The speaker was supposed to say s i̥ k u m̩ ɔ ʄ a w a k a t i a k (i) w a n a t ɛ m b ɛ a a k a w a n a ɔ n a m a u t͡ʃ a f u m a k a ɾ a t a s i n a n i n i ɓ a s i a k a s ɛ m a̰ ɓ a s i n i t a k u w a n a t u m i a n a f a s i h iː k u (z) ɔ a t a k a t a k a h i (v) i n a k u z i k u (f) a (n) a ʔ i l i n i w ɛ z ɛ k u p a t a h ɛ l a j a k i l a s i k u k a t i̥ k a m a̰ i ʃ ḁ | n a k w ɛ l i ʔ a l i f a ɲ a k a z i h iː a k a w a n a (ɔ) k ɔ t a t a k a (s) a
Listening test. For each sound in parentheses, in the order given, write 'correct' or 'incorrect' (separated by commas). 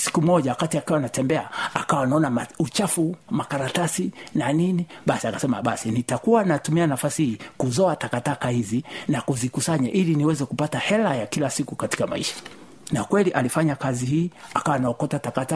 correct, correct, incorrect, incorrect, incorrect, correct, incorrect